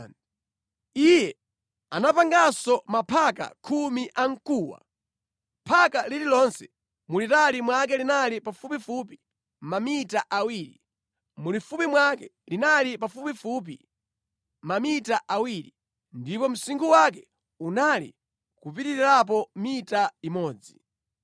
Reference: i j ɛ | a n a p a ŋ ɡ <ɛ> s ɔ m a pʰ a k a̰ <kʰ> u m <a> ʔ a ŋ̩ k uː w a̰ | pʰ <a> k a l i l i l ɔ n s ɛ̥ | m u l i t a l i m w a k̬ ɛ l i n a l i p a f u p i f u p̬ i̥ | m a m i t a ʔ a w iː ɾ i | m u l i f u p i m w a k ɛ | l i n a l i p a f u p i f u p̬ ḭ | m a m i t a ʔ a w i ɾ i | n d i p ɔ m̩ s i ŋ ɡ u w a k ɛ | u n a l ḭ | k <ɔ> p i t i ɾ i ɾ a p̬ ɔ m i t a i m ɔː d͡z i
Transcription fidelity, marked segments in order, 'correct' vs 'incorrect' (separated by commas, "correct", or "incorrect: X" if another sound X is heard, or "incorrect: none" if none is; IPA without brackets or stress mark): incorrect: a, correct, incorrect: i, correct, incorrect: u